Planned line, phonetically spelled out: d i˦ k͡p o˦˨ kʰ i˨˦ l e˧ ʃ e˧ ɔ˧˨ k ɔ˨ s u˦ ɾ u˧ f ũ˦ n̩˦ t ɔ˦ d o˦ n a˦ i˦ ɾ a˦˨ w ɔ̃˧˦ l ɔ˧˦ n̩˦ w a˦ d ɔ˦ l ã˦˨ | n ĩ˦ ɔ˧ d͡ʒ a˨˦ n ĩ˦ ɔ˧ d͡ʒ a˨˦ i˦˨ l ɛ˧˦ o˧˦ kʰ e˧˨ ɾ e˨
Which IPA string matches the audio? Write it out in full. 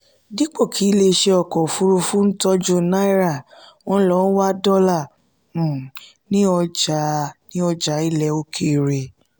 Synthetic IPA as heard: d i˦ k͡p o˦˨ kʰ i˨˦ l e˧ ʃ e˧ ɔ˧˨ k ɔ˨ f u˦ ɾ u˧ f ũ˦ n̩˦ t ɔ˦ d͡ʒ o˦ n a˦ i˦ ɾ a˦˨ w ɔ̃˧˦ l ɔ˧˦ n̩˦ w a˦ d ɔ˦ l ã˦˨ | n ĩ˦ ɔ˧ d͡ʒ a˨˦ n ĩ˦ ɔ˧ d͡ʒ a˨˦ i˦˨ l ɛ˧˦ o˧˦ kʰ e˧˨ ɾ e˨